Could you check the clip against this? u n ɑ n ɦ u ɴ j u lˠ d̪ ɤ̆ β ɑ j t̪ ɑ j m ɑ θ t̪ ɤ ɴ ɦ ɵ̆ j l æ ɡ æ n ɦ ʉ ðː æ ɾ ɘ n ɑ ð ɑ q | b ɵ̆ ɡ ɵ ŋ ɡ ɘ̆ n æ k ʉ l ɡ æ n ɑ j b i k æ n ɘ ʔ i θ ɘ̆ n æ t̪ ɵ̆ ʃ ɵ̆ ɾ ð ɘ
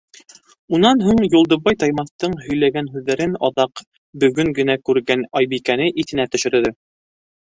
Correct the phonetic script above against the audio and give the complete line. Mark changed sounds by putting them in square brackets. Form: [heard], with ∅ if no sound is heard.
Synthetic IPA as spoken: u n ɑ n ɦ u ɴ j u lˠ d̪ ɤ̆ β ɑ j t̪ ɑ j m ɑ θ t̪ ɤ ɴ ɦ ɵ̆ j l æ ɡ æ n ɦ ʉ ðː æ ɾ ɘ n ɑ ð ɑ q | b ɵ̆ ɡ ɵ ŋ ɡ ɘ̆ n æ k ʉ [ɾ] ɡ æ n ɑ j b i k æ n ɘ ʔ i θ ɘ̆ n æ t̪ ɵ̆ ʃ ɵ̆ ɾ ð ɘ